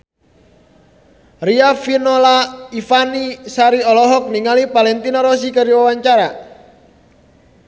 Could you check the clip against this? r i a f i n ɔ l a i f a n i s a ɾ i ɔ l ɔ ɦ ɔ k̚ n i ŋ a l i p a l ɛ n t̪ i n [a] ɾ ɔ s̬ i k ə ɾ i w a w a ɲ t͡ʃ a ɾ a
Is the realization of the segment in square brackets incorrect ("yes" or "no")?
no